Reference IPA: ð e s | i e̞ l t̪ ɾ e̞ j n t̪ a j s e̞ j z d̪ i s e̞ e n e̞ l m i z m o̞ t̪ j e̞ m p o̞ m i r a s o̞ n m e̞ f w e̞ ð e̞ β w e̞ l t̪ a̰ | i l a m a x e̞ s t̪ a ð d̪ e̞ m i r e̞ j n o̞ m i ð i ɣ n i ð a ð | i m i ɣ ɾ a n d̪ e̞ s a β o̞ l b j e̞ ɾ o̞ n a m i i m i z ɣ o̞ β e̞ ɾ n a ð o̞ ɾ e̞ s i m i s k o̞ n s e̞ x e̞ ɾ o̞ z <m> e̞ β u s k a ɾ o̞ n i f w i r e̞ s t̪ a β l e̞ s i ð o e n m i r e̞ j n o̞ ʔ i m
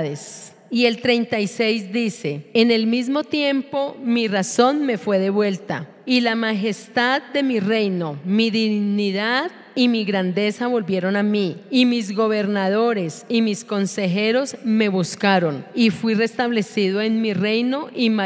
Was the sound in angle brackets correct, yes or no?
yes